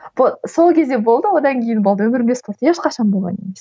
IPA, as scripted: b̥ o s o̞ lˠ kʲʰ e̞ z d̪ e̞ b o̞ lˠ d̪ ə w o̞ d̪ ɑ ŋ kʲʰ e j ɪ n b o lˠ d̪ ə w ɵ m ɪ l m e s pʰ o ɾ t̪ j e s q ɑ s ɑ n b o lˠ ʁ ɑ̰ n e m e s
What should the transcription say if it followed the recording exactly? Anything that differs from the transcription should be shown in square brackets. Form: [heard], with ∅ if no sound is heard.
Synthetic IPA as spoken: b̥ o s o̞ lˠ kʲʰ e̞ z d̪ e̞ b o̞ lˠ d̪ ə w o̞ d̪ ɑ ŋ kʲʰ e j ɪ n b o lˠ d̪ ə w ɵ m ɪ [ɾ] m e s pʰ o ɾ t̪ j e [ʃ] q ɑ [ʃ] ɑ n b o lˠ ʁ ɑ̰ n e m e s

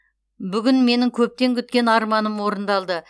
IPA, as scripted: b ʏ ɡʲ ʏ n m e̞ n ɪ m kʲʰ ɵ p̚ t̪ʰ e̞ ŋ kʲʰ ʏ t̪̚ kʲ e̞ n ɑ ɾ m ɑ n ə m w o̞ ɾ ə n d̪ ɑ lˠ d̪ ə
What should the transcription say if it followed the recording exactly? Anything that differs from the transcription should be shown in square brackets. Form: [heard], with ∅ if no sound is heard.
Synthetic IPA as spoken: b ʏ ɡʲ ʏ n m e̞ n ɪ [ŋ] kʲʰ ɵ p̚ [t̪] e̞ ŋ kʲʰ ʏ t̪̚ kʲ e̞ n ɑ ɾ m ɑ n ə m w o̞ ɾ ə n d̪ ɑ lˠ d̪ ə

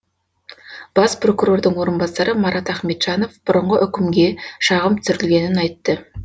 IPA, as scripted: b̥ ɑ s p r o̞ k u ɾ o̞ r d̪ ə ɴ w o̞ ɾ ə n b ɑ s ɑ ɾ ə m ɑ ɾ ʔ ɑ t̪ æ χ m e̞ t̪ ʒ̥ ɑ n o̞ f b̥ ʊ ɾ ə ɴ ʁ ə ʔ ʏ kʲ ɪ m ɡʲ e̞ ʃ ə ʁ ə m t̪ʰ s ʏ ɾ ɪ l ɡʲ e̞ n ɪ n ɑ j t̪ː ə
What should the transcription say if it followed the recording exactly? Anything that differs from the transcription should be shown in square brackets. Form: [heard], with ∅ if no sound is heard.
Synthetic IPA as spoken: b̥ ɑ s p r o̞ k u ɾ o̞ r d̪ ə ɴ w o̞ ɾ ə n b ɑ s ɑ ɾ ə m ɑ ɾ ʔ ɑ t̪ æ χ m e̞ t̪ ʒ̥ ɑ n o̞ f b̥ ʊ ɾ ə ɴ ʁ ə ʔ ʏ kʲ ɪ m ɡʲ e̞ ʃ [ɑ] ʁ ə m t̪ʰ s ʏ ɾ ɪ l ɡʲ e̞ n ɪ n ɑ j t̪ː ə

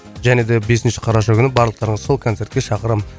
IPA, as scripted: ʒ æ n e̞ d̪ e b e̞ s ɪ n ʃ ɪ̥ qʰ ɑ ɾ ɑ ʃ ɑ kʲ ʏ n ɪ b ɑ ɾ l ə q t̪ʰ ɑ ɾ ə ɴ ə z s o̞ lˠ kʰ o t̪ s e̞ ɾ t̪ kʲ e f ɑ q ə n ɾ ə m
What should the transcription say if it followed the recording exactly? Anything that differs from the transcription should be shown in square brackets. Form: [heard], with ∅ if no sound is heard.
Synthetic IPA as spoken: ʒ æ n e̞ d̪ e b e̞ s ɪ n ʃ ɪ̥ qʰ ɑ ɾ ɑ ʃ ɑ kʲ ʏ n ɪ b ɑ ɾ l ə q [t̪] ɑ ɾ ə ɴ ə z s o̞ lˠ kʰ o t̪ s e̞ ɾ t̪ kʲ e [ʃ] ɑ q ə [∅] ɾ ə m

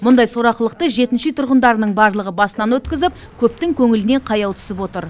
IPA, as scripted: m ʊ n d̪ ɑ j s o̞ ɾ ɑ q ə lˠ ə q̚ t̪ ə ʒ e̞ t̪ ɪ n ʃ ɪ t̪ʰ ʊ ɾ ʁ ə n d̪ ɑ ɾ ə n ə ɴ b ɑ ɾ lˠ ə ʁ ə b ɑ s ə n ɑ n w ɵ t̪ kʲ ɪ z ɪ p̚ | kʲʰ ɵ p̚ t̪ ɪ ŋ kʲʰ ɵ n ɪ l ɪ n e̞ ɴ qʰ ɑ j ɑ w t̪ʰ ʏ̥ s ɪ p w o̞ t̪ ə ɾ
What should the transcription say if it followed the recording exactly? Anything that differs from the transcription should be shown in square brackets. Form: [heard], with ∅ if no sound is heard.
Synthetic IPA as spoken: m ʊ n d̪ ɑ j s o̞ ɾ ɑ q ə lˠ ə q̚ t̪ ə ʒ e̞ t̪ ɪ n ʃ ɪ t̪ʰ ʊ ɾ ʁ ə n d̪ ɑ ɾ ə n ə ɴ b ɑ ɾ lˠ ə ʁ ə b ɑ s ə n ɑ n w ɵ t̪ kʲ ɪ z ɪ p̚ | kʲʰ ɵ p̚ t̪ ɪ ŋ kʲʰ ɵ [ŋ] ɪ l ɪ n e̞ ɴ qʰ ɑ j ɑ w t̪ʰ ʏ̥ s ɪ p w o̞ t̪ ə ɾ

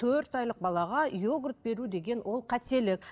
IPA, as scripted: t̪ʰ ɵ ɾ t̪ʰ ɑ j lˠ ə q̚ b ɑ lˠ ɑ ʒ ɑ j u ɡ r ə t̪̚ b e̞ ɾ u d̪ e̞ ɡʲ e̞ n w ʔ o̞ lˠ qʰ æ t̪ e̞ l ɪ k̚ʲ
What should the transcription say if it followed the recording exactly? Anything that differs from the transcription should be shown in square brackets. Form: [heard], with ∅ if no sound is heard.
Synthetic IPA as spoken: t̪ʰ ɵ ɾ [t̪] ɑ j lˠ ə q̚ b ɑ lˠ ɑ [ʁ] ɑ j [o] ɡ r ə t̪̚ b e̞ ɾ u d̪ e̞ ɡʲ e̞ n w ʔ o̞ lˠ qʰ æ t̪ e̞ l ɪ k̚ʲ

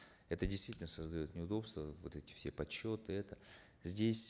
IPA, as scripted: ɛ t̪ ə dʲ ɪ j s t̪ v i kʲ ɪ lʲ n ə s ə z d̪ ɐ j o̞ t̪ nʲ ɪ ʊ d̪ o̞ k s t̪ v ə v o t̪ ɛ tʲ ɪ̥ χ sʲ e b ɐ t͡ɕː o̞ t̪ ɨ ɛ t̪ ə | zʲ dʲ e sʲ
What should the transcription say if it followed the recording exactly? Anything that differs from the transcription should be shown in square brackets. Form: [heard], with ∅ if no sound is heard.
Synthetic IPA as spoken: ɛ t̪ ə dʲ ɪ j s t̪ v i [tʲ] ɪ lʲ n ə s ə z d̪ ɐ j o̞ t̪ nʲ ɪ ʊ d̪ o̞ [p] s t̪ v ə v o t̪ ɛ tʲ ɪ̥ [f] sʲ e [p] ɐ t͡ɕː o̞ t̪ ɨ ɛ t̪ ə | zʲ dʲ e sʲ

